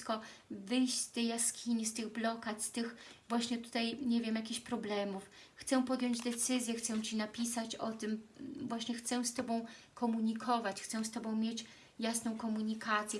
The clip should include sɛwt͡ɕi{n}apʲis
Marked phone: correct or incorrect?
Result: correct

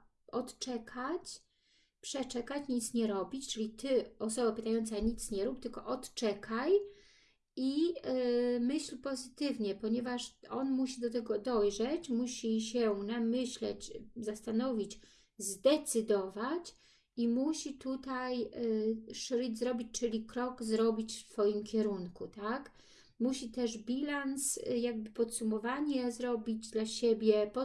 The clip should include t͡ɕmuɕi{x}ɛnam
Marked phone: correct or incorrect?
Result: incorrect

